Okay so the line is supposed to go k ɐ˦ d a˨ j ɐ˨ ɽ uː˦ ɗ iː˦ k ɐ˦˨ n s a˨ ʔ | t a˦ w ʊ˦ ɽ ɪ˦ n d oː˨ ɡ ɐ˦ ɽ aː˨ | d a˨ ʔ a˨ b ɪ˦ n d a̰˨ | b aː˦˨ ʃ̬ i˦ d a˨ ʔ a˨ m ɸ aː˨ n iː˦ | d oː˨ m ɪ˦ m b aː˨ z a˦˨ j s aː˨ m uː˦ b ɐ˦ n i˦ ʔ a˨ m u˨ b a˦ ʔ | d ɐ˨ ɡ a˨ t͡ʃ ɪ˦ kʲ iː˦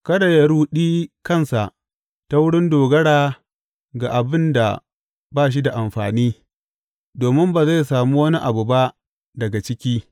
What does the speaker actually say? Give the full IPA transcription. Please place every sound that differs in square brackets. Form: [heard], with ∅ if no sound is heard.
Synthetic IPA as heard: k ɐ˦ d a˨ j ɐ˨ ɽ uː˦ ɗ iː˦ k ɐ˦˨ n s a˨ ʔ | t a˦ w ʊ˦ ɽ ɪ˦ n d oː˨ ɡ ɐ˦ ɽ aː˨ | [ɡ] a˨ ʔ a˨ b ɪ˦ n d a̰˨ | b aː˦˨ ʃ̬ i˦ d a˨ ʔ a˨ m ɸ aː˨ n iː˦ | d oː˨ m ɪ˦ m b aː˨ z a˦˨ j s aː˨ m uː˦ [w] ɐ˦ n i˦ ʔ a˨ [b] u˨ b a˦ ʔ | d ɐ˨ ɡ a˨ t͡ʃ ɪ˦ kʲ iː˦